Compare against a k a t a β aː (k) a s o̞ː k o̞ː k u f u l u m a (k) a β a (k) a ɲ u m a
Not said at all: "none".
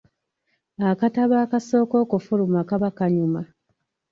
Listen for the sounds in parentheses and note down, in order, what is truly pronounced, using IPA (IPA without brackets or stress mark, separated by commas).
k, k, k